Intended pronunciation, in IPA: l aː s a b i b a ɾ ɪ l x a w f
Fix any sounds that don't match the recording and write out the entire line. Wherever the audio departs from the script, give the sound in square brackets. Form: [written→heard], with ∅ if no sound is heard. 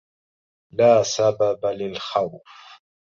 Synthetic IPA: l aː s a b [i→a] b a [ɾ→l] ɪ l x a w f